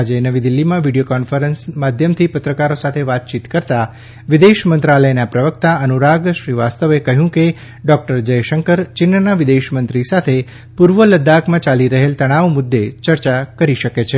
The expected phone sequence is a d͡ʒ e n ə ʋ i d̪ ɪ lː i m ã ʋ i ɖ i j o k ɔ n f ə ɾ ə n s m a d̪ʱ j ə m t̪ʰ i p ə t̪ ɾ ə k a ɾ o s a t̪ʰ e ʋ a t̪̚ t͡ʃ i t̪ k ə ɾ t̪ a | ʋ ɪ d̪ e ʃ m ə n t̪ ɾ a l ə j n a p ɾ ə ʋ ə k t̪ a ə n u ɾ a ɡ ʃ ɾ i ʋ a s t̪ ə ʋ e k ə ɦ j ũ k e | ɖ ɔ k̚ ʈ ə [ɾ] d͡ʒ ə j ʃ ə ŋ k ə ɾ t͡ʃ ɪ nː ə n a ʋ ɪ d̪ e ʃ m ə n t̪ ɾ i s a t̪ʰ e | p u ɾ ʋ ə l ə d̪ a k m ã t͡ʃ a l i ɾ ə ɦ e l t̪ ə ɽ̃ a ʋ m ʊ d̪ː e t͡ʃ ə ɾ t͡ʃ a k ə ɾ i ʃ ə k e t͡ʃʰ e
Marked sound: correct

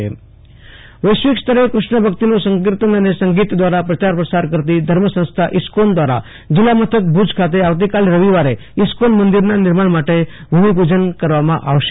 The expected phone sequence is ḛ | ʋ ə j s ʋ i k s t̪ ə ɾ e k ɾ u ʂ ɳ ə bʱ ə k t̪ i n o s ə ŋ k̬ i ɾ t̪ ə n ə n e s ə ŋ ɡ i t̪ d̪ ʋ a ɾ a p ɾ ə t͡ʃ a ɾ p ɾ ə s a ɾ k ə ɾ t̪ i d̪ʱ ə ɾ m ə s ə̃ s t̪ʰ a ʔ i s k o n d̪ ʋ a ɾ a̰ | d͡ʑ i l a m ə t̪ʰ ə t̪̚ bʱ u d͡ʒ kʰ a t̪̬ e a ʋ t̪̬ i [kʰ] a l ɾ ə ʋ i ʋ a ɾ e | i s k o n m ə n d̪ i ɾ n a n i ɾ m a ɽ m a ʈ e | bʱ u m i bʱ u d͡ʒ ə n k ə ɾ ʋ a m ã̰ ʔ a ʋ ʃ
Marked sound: incorrect: k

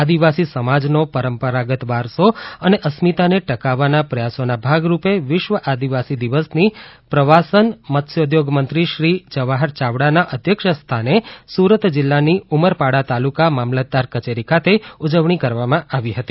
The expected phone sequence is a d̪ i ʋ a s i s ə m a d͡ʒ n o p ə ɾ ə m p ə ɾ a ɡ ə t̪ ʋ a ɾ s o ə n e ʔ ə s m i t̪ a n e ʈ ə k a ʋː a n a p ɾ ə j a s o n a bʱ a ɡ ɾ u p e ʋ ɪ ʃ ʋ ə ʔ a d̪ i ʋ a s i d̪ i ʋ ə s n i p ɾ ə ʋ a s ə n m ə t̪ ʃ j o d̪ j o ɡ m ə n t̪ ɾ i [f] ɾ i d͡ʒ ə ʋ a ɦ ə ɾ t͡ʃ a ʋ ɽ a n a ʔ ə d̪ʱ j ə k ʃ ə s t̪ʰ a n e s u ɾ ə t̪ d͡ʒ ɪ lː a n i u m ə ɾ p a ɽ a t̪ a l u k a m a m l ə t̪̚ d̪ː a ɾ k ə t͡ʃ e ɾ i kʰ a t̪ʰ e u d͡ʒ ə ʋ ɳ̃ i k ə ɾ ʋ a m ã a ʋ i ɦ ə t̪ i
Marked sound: incorrect: ʃ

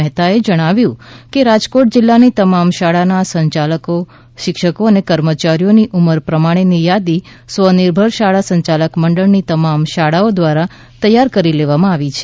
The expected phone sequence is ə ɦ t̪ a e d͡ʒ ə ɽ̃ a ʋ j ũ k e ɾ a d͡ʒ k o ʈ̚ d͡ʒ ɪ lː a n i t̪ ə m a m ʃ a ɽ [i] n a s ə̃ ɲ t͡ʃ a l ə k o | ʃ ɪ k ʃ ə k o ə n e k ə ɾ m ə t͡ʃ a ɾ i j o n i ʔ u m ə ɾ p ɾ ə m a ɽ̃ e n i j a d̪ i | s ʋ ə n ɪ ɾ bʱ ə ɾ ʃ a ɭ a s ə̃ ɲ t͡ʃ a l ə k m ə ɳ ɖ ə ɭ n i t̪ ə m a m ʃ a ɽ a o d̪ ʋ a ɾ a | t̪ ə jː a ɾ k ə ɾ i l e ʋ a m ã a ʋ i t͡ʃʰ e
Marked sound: incorrect: a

